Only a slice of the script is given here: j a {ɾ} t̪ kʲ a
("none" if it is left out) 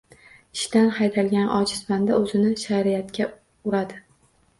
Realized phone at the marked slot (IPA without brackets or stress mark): none